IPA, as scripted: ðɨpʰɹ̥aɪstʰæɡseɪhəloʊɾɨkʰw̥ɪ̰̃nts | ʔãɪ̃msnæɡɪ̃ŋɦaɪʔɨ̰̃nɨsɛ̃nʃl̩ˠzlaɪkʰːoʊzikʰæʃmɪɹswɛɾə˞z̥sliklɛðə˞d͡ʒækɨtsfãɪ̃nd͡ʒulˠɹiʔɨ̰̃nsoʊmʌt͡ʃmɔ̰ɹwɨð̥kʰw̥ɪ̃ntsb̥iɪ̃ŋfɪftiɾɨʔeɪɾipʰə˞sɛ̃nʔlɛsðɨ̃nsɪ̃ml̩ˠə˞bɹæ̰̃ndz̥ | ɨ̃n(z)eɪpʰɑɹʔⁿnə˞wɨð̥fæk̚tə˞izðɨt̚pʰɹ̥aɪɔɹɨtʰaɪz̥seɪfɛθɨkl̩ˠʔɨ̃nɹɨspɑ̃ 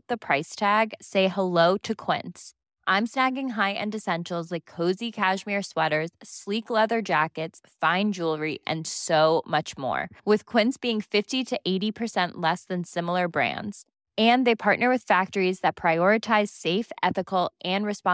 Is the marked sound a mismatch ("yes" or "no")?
yes